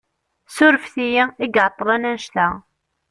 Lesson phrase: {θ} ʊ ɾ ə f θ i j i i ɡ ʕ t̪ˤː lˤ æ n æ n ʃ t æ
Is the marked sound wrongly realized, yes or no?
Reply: yes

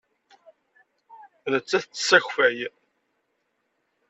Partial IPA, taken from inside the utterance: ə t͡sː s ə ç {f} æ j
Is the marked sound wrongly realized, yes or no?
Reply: no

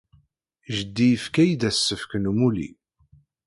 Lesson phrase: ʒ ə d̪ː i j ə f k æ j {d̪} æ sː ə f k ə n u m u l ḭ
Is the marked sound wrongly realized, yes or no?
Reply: no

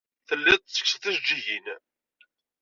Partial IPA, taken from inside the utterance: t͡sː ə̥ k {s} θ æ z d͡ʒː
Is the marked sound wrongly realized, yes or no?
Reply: no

